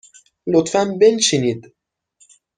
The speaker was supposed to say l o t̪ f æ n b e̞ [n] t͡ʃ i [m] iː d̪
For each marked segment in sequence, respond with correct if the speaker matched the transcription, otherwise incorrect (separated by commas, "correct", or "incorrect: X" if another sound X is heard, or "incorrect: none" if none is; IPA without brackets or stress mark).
correct, incorrect: n